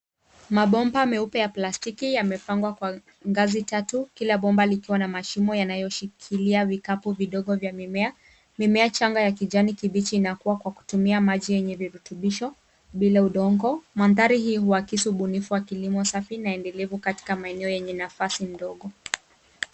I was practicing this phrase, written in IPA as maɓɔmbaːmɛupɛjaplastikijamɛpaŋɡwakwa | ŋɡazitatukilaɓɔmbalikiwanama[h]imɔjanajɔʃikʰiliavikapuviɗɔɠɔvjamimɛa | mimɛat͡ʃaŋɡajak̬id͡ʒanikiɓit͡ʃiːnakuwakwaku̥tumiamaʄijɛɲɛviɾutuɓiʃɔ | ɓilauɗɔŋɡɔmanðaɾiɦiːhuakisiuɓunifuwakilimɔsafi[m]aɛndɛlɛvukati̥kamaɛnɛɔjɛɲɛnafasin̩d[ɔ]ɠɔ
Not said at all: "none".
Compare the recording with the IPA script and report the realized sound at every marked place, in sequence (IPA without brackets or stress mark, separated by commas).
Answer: ʃ, n, ɔ